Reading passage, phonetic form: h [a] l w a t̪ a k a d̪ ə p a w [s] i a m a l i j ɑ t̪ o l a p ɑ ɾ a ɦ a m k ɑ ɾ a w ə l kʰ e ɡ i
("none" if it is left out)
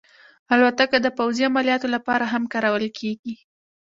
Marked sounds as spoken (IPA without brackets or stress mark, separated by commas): a, z